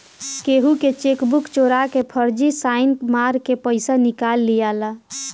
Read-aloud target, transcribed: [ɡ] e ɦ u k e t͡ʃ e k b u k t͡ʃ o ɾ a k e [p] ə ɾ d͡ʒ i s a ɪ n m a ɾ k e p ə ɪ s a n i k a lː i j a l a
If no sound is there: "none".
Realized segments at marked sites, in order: k, pʰ

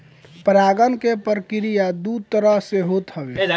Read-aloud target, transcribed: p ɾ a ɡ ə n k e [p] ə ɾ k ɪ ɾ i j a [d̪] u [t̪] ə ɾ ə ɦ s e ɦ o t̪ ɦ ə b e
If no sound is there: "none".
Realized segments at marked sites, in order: p, d̪, t̪

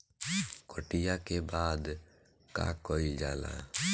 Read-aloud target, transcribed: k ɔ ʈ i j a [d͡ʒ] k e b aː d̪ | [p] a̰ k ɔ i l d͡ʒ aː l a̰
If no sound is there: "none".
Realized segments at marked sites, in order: none, k

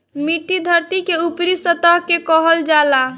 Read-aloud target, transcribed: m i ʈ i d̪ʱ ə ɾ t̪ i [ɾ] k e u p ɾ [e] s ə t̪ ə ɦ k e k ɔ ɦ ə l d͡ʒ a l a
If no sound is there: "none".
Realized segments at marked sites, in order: none, i

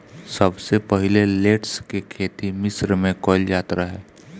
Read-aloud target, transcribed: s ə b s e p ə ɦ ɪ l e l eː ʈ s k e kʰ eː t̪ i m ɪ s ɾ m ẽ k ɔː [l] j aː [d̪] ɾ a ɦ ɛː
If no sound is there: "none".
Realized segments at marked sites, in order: l, t̪

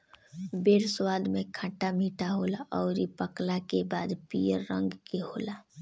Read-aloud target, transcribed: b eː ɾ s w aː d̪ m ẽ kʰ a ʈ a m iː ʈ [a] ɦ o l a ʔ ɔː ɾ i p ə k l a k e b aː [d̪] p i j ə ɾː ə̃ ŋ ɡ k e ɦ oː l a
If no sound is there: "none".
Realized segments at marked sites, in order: a, d̪

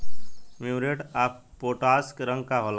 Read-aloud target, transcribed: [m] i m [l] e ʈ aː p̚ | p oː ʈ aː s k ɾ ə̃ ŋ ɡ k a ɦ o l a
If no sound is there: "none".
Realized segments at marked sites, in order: m, ɾ

